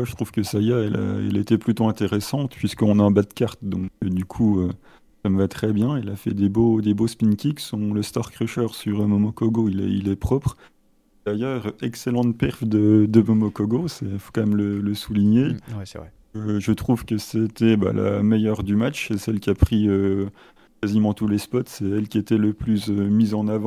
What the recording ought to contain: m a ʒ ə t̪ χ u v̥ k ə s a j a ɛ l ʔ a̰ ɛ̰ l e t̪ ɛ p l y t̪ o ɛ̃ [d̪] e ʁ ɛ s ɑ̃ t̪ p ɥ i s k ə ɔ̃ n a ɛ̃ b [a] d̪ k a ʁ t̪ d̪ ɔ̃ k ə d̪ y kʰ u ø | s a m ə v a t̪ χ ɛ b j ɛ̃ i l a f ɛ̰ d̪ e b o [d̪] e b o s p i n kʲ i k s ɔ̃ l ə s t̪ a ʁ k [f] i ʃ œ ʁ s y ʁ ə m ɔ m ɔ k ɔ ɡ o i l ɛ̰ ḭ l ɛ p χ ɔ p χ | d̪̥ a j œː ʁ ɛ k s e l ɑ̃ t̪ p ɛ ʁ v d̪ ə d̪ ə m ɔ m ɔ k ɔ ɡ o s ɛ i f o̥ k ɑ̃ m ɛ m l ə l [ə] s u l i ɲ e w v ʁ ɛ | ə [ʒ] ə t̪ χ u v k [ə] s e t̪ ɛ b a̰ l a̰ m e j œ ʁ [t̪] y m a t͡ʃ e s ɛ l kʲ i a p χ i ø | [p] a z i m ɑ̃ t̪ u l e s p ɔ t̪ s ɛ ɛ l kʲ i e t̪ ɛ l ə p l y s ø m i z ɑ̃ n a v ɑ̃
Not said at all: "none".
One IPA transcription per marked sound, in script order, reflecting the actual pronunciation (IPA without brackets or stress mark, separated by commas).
t̪, a, d̪, χ, ə, ʒ, ə, d̪, k